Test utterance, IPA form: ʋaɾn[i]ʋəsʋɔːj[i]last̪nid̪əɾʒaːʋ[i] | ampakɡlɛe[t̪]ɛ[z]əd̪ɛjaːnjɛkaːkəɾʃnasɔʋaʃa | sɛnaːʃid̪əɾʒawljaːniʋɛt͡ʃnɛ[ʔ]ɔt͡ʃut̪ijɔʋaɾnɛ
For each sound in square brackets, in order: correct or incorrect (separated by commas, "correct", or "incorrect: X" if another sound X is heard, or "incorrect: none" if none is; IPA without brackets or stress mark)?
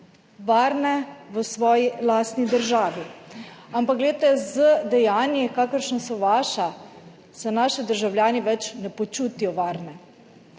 incorrect: ɛ, correct, correct, correct, correct, incorrect: p